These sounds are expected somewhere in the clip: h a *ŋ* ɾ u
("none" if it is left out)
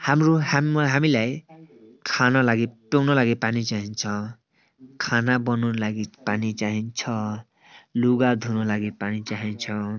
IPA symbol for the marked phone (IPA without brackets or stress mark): m